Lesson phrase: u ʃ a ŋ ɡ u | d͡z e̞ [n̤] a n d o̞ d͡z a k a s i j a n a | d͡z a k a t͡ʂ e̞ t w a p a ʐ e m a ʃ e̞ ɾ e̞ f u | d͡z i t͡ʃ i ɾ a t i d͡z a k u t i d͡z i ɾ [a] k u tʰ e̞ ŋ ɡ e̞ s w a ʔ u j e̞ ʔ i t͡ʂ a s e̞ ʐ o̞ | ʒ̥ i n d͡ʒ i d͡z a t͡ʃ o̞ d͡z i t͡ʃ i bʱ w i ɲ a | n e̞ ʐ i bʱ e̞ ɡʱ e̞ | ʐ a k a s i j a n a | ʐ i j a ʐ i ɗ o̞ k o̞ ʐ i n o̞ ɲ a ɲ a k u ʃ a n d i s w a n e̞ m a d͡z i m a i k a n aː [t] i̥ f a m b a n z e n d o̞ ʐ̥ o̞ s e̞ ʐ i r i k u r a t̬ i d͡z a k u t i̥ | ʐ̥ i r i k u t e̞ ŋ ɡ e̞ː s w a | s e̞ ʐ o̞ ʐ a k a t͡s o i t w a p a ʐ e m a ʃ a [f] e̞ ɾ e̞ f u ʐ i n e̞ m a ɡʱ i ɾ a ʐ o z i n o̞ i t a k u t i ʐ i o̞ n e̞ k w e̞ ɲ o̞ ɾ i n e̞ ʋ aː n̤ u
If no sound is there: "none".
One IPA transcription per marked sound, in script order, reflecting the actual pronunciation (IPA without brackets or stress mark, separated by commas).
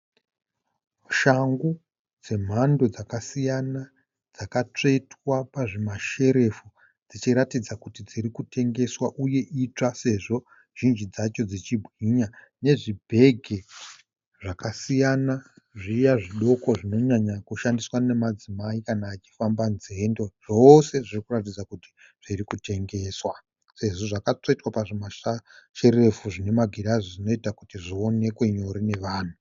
m̤, i, t͡ʃ, ʃ